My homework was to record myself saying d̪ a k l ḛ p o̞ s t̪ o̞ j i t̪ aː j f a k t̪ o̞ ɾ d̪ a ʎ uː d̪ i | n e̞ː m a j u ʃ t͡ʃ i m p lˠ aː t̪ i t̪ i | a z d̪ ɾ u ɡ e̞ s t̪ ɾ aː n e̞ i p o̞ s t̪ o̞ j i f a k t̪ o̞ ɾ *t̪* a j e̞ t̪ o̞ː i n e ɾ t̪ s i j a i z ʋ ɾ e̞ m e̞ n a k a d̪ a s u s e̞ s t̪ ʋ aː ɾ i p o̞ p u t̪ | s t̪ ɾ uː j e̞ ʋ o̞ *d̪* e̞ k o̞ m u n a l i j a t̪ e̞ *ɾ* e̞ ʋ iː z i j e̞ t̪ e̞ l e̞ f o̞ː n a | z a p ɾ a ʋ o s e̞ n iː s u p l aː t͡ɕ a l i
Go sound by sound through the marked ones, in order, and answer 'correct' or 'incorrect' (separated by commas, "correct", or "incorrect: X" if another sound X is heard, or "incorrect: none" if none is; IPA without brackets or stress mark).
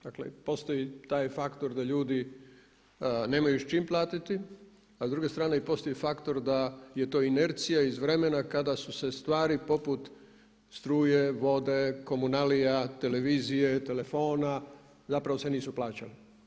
incorrect: d̪, correct, incorrect: l